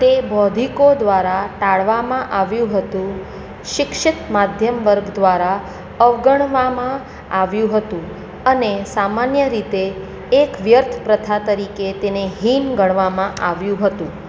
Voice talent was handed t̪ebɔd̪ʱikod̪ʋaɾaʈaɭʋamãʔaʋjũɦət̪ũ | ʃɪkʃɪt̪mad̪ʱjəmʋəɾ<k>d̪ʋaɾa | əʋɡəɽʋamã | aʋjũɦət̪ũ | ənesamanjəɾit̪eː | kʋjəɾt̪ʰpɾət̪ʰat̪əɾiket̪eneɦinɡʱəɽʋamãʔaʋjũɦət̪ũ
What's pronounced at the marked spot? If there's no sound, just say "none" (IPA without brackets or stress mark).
ɡ